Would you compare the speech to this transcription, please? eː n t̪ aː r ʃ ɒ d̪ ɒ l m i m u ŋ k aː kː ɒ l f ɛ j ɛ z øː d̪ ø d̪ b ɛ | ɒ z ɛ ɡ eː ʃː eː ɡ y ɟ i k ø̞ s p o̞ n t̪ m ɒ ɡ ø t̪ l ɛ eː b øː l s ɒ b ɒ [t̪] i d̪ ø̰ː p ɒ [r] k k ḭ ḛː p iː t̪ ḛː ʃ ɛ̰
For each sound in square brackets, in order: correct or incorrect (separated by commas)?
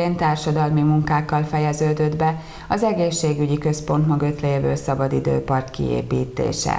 incorrect, correct